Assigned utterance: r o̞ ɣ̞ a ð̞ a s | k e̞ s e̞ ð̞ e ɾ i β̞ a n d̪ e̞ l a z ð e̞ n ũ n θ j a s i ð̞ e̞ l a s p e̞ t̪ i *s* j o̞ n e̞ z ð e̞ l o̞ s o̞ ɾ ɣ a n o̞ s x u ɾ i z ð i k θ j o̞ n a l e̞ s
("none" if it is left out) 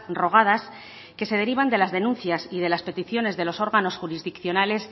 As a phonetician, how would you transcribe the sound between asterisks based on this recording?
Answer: θ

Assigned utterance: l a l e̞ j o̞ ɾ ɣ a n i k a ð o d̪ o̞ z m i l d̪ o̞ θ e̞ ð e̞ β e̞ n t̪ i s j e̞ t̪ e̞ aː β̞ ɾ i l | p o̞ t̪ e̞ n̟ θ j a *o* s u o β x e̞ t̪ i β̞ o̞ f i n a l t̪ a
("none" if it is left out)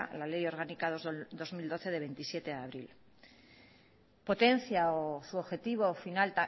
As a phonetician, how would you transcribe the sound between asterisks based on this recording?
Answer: o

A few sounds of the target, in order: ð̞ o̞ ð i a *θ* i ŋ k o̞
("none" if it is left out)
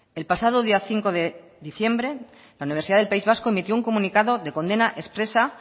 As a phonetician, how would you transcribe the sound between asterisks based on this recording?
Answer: θ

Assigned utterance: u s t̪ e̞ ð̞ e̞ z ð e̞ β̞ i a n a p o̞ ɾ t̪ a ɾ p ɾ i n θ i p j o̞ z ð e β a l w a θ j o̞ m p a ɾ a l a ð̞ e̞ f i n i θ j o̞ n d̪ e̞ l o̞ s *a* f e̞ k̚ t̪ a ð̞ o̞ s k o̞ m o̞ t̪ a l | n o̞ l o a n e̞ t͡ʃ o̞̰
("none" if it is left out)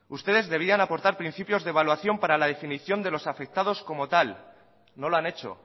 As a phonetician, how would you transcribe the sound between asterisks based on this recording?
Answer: a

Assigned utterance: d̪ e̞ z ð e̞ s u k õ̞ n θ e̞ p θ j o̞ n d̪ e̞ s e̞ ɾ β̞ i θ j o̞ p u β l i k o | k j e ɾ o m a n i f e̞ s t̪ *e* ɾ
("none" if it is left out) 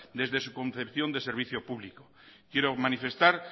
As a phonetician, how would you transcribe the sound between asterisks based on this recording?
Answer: a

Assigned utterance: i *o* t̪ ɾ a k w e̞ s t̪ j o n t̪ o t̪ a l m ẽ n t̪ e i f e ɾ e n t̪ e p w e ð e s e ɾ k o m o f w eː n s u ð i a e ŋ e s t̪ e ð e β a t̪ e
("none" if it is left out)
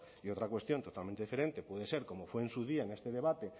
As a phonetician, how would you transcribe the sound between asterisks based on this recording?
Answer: o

